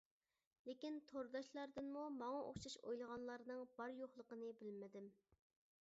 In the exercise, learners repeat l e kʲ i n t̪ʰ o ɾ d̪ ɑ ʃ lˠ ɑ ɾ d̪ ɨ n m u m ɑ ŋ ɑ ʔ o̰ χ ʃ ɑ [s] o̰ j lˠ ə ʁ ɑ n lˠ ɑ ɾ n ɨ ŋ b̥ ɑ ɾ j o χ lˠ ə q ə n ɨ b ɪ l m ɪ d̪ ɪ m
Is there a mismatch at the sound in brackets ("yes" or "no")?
yes